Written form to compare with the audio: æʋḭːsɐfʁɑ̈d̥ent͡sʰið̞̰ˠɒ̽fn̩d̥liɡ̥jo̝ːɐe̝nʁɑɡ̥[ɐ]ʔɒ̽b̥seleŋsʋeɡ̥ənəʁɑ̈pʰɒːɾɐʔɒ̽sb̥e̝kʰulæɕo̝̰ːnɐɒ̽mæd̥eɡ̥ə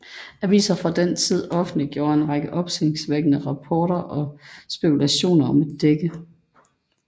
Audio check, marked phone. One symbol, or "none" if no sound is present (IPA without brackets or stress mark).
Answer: ə